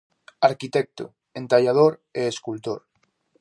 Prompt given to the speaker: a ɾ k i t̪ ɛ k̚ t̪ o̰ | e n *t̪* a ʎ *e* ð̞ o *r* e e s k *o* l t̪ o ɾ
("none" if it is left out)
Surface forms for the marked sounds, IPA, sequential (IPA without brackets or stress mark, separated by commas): t̪, a, ɾ, u